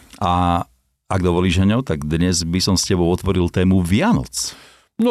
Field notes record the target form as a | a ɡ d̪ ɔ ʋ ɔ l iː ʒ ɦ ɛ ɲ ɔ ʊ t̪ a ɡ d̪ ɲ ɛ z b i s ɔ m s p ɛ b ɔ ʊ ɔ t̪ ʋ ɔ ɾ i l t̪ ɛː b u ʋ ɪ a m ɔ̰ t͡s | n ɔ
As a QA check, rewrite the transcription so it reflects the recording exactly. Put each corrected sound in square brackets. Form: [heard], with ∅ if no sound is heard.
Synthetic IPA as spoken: a | a ɡ d̪ ɔ ʋ ɔ l iː ʒ ɦ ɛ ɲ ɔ ʊ t̪ a ɡ d̪ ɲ ɛ z b i s ɔ m s [c] ɛ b ɔ ʊ ɔ t̪ ʋ ɔ ɾ i l t̪ ɛː [m] u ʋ ɪ a [n] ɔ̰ t͡s | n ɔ